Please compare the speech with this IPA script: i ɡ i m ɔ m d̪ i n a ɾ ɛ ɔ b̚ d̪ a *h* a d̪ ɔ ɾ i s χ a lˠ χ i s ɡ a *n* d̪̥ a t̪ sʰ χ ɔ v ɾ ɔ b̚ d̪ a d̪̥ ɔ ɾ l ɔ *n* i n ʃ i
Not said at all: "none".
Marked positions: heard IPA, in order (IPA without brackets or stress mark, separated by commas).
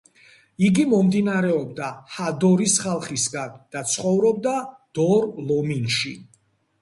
h, n, m